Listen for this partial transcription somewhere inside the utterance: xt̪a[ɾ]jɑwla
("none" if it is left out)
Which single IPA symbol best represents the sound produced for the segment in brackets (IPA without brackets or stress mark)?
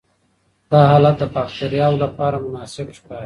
ɾ